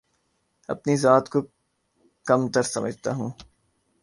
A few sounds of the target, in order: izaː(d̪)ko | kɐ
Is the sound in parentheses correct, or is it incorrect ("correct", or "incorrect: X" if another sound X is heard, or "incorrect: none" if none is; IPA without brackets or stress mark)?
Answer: incorrect: t̪